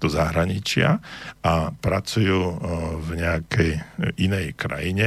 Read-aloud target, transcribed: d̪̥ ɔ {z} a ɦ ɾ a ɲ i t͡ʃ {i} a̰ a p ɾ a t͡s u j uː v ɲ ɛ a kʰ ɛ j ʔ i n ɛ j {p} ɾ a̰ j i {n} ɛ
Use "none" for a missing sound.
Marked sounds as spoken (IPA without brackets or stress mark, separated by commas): z, ɪ, k, ɲ